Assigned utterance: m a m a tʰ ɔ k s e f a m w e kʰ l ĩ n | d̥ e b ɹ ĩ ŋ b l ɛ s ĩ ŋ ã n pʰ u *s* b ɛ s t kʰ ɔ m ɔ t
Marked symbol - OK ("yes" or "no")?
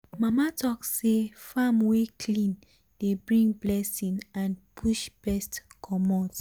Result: no